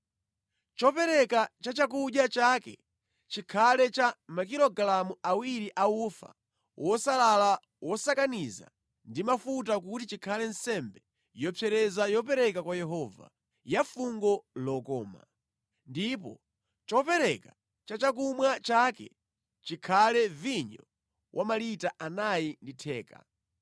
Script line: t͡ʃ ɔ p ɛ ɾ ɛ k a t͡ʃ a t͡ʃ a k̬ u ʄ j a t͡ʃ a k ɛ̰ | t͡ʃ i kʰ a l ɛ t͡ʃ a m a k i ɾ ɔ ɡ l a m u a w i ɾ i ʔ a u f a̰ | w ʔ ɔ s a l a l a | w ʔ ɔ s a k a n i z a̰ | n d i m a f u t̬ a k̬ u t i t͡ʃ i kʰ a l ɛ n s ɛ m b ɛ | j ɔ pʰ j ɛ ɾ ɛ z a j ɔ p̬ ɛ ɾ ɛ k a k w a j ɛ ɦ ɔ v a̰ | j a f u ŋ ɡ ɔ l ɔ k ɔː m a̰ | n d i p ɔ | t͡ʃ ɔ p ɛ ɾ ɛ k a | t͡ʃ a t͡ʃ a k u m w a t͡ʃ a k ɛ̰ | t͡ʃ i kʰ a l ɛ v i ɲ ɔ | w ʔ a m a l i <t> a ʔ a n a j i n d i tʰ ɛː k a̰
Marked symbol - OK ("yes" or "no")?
yes